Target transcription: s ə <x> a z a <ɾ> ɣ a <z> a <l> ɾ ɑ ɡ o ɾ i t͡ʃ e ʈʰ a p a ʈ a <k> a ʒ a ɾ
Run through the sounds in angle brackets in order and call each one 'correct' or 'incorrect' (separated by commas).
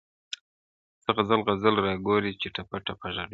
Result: incorrect, incorrect, correct, correct, incorrect